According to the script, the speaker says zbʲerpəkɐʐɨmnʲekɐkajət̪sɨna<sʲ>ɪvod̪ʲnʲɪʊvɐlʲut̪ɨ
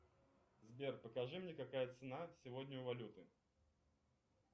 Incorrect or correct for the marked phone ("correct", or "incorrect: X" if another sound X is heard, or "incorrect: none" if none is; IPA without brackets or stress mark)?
correct